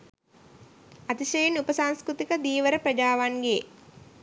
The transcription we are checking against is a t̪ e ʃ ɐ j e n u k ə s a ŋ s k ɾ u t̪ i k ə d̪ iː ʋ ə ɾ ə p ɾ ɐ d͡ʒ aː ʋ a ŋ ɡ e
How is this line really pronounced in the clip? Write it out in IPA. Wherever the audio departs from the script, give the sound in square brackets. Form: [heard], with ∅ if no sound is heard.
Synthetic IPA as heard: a t̪ [i] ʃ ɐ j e n u [p] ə s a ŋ s k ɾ u t̪ i k ə d̪ iː ʋ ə ɾ ə p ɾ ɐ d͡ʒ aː ʋ a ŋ ɡ e

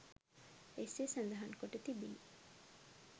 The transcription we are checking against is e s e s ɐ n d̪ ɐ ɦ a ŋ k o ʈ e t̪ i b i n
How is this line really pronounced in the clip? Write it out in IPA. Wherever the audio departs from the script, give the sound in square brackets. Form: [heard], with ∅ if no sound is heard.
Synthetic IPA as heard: e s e s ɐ n d̪ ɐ ɦ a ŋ k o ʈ e t̪ i b i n

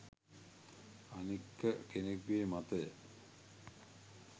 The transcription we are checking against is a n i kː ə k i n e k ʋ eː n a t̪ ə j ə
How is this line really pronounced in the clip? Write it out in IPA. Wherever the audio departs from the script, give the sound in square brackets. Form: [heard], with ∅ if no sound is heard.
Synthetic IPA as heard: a n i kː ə k [e] n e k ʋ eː [m] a t̪ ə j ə

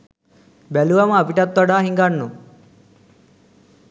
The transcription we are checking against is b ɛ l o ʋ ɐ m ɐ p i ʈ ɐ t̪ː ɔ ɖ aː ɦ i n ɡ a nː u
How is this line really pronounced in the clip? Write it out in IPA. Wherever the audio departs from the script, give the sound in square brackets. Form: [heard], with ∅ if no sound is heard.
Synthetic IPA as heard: b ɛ l [u] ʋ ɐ m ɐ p i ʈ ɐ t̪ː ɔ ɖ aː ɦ i [ŋ] ɡ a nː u

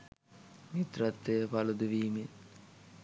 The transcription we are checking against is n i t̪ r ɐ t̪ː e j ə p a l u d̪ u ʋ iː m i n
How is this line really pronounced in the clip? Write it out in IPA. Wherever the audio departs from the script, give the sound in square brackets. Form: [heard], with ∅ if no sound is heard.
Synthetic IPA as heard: [m] i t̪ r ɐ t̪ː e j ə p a l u d̪ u ʋ iː m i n

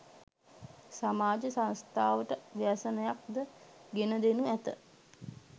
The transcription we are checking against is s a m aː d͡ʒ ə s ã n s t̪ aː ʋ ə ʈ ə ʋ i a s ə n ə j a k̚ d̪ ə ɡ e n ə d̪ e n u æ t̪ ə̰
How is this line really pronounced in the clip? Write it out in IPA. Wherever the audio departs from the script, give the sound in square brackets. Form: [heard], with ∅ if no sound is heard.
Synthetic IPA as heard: s a m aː d͡ʒ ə s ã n s t̪ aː ʋ ə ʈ ə ʋ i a s ə n ə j a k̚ d̪ ə ɡ e n ə d̪ e n u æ t̪ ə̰

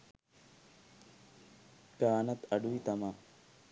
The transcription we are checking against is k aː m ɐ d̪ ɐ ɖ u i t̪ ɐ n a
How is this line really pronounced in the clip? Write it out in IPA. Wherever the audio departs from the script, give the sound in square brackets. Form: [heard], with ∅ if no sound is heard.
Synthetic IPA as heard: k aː [n] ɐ [t̪] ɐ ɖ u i t̪ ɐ [m] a

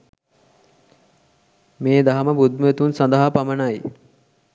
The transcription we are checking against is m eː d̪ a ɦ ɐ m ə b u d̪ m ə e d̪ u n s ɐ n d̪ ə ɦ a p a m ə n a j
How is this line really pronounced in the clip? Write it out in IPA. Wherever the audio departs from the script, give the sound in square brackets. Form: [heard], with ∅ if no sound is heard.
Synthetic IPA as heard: m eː d̪ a ɦ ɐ m ə b u d̪ m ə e [t̪] u n s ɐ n d̪ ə ɦ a p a m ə n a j

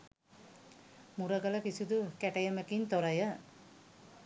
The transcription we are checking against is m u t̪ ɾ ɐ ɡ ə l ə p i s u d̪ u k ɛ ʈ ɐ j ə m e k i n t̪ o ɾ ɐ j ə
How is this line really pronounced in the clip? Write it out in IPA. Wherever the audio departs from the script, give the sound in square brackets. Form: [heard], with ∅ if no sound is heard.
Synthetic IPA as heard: m u [∅] ɾ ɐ ɡ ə l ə [k] i s u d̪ u k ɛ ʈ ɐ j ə m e k i n t̪ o ɾ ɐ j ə

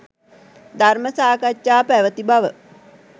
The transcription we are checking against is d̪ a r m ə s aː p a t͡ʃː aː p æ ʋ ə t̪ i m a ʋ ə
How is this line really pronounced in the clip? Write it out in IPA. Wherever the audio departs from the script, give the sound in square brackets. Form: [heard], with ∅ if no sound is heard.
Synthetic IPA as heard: d̪ a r m ə s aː [k] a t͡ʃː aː p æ ʋ ə t̪ i [b] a ʋ ə

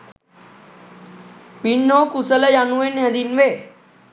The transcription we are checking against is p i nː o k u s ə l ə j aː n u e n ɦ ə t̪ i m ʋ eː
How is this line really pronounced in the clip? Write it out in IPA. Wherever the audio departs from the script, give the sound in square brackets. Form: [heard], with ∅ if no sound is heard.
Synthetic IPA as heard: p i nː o k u s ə l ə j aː n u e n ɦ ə [d̪] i [n] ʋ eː

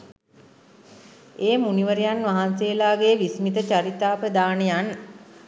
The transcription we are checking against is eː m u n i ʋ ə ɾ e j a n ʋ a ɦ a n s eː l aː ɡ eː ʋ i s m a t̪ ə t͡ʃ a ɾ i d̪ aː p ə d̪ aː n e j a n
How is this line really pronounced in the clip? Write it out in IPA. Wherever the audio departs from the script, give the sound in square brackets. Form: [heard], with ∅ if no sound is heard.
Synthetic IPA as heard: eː m u n i ʋ ə ɾ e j a n ʋ a ɦ a n s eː l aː ɡ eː ʋ i s m [i] t̪ ə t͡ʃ a ɾ i [t̪] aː p ə d̪ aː n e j a n

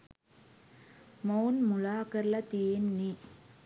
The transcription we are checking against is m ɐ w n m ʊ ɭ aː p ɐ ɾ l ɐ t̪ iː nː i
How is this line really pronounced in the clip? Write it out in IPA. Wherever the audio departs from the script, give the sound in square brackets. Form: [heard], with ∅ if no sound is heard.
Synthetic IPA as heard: m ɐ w n m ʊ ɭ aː [k] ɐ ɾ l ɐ t̪ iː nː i

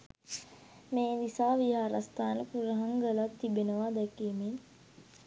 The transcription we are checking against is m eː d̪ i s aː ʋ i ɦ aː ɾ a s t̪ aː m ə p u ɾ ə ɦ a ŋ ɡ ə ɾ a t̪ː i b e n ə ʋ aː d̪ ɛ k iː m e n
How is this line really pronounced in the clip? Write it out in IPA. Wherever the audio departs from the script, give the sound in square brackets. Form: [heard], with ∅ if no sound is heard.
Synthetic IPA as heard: m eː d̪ i s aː ʋ i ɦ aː ɾ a s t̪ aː [n] ə p u ɾ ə ɦ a ŋ ɡ ə [l] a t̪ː i b e n ə ʋ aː d̪ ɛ k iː m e n

